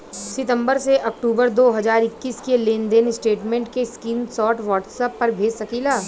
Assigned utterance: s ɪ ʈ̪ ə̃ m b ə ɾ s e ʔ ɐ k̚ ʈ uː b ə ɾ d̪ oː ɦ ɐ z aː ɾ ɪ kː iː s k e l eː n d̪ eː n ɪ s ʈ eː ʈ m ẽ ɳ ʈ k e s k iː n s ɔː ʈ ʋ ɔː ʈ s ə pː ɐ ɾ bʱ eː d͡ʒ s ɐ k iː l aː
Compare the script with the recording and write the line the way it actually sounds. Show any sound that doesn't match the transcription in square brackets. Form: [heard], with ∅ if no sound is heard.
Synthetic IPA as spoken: s ɪ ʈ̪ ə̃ m b ə ɾ s e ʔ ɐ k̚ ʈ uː b ə ɾ d̪ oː ɦ ɐ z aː ɾ ɪ kː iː s k e l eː n d̪ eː n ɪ s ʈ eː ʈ m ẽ ɳ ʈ k e s k iː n s ɔː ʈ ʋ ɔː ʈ s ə pː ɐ ɾ bʱ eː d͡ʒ s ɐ k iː l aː